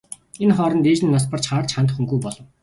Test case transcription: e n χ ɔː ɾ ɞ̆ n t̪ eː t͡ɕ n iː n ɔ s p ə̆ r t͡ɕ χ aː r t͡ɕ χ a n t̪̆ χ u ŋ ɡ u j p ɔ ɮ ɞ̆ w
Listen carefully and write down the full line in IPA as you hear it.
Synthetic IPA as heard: e n χ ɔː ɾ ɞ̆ n t̪ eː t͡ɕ n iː n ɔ s p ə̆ r t͡ɕ χ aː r t͡ɕ χ a n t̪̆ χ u ŋ ɡ u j p ɔ ɮ ɞ̆ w

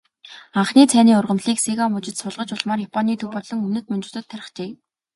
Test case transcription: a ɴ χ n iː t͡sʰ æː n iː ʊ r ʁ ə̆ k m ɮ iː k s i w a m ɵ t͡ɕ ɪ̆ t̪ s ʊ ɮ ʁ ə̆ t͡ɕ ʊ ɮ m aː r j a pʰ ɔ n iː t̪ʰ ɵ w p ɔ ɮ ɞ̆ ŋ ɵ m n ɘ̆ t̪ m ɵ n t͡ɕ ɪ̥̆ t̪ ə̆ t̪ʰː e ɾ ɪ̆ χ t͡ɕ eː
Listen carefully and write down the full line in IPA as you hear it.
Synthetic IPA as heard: a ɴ χ n iː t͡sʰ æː n iː ʊ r ʁ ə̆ m ɮ iː k s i ɣ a m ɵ t͡ɕ ɪ̆ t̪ s ʊ ɮ ʁ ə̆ t͡ɕ ʊ ɮ m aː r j a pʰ ɔ n iː t̪ʰ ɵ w p ɔ ɮ ɞ̆ ŋ ɵ m n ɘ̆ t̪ m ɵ n t͡ɕ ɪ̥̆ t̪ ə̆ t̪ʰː æ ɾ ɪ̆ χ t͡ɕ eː

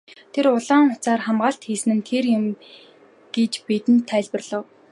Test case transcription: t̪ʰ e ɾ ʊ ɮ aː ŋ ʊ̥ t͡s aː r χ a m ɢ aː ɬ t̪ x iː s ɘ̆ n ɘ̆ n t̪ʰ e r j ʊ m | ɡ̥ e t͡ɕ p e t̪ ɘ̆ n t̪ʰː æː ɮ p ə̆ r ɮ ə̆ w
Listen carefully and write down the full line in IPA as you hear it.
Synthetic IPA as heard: t̪ʰ e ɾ ʊ ɮ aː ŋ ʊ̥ t͡s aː r χ a m ɢ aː ɬ t̪ x iː s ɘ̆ n ɘ̆ n t̪ʰ e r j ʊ m | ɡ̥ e t͡ɕ p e t̪ ɘ̆ n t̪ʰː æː ɮ p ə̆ r ɮ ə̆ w

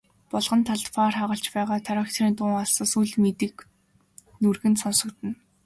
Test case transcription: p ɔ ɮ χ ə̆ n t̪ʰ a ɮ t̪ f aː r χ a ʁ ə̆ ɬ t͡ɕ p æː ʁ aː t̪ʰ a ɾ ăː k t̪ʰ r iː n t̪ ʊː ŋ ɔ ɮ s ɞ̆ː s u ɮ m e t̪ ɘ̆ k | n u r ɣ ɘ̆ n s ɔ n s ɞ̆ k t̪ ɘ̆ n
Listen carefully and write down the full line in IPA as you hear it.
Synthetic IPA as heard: p ɔ ɮ ʁ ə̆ n t̪ʰ a ɮ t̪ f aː r χ a ʁ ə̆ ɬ t͡ɕ p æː ʁ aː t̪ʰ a ɾ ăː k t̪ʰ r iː n t̪ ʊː ŋ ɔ ɮ s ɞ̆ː s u ɮ m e t̪ ɘ̆ k | n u r ɣ ɘ̆ n s ɔ n s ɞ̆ k t̪ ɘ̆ n

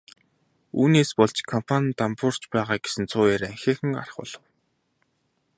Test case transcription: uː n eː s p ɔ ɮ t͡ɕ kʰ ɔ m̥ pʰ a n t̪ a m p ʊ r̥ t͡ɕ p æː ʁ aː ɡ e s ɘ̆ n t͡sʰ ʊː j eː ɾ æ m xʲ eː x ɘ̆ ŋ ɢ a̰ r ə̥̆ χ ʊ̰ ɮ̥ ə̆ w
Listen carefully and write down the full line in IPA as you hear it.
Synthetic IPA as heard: uː n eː s p ɔ ɮ t͡ɕ kʰ ɔ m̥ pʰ a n t̪ a m p ʊ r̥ t͡ɕ p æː ʁ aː ɡ e s ɘ̆ n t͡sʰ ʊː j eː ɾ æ ŋ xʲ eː x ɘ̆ ŋ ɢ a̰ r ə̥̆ χ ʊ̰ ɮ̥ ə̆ w

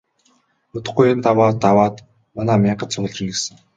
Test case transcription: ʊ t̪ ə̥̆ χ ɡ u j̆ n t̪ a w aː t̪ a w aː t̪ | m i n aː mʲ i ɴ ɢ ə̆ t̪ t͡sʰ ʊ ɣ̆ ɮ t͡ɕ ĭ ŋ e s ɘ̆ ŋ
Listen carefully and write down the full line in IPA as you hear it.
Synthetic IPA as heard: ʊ t̪ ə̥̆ χ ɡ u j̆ n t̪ a w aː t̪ a w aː t̪ | m a n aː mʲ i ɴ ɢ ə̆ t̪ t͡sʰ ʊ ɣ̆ ɮ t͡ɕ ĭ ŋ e s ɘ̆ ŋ

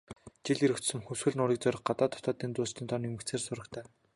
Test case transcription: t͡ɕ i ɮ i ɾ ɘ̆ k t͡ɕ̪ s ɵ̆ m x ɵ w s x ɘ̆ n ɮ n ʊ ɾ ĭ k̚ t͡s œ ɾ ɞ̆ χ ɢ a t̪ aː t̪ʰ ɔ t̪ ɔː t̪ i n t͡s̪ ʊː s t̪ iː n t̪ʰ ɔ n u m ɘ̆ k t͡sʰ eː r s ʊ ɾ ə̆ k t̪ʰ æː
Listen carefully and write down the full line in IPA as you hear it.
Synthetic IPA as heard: t͡ɕ i ɮ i ɾ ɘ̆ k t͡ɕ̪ s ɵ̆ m x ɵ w s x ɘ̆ ɮ n ʊ ɾ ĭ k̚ t͡s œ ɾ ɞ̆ χ ɢ a t̪ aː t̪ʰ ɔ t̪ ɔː t̪ iː n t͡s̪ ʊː s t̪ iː n t̪ʰ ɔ n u m ɘ̆ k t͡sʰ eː r s ʊ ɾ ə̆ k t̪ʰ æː

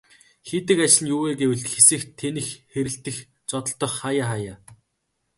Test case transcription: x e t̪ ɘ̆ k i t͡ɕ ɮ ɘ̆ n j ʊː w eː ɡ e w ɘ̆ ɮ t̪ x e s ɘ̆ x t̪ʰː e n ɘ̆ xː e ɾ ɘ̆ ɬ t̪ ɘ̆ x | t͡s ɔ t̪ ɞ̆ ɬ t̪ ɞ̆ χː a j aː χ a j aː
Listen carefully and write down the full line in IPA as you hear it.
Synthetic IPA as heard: x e t̪ ɘ̆ k a t͡ɕ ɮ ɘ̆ n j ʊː w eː ɡ e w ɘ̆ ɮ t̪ x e s ɘ̆ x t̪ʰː e n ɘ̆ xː e ɾ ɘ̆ ɬ t̪ ɘ̆ x | t͡s ɔ t̪ ɞ̆ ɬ t̪ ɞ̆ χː a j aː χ a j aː

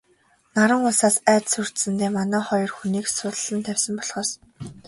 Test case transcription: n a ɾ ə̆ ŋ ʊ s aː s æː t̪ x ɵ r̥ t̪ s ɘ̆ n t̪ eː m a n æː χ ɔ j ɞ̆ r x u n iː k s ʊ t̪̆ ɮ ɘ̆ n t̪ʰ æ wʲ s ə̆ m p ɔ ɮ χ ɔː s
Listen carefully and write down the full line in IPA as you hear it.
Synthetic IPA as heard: n a ɾ ə̆ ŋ ʊ s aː s æː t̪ s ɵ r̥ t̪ s ɘ̆ n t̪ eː m a n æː χ ɔ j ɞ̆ r x u n iː k s ʊ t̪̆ ɮ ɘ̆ n t̪ʰ æ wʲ s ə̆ m p ɔ ɮ χ ɔː s

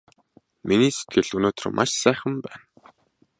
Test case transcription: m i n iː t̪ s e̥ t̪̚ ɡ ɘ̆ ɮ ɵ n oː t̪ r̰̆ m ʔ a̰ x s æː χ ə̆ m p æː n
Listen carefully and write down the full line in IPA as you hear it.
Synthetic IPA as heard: m i n iː s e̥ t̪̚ ɡ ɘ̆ ɮ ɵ n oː t̪ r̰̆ m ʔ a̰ ʃ s æː χ ə̆ m p æː n

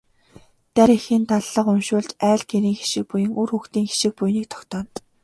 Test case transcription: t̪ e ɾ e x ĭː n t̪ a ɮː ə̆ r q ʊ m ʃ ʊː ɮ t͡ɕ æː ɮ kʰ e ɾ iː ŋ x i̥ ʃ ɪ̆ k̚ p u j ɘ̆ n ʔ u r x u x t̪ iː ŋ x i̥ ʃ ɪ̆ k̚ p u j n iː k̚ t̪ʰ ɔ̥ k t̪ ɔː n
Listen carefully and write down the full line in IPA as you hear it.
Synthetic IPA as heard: t̪ æ ɾ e x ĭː n t̪ a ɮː ə̆ q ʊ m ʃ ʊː ɮ t͡ɕ æː ɮ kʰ e ɾ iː ŋ x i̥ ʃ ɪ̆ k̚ p u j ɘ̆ ŋ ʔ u r x u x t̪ iː ŋ x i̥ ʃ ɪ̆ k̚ p u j n iː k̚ t̪ʰ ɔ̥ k t̪ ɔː n

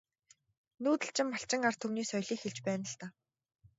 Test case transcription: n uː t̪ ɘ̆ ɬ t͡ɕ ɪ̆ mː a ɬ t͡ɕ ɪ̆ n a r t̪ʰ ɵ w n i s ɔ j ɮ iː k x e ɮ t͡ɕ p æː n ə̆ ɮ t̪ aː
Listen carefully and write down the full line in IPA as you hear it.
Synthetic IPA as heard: n uː t̪ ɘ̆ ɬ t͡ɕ ɪ̆ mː a ɬ t͡ɕ ɪ̆ ŋ a r t̪ʰ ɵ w n iː s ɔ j ɮ iː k x e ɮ t͡ɕ p æː n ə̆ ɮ t̪ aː

